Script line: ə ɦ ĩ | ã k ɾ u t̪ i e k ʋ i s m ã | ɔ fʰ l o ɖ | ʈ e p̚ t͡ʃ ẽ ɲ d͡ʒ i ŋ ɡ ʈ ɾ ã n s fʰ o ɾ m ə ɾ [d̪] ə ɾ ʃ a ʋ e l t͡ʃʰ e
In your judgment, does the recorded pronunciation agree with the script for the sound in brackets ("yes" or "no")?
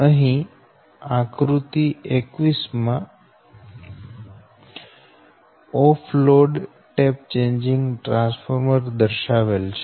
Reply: yes